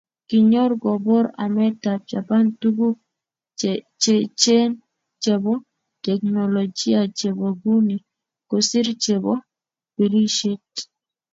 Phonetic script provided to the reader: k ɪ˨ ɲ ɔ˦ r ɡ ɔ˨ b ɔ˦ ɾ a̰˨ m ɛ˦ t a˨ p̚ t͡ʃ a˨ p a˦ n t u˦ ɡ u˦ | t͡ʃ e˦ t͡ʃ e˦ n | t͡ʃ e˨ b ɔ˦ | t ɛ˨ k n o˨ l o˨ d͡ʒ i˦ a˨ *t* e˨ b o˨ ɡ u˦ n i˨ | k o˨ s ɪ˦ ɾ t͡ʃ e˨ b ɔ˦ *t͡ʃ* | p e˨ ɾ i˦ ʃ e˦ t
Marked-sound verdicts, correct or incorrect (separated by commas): incorrect, incorrect